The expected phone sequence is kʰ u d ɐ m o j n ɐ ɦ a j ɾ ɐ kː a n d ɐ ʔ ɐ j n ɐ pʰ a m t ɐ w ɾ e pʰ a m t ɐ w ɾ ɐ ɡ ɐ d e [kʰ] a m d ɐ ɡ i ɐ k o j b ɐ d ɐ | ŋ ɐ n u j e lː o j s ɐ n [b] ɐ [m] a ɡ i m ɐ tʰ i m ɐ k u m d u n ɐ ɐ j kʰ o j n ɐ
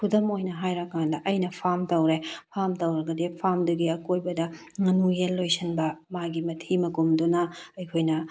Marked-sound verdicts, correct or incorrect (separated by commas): incorrect, correct, correct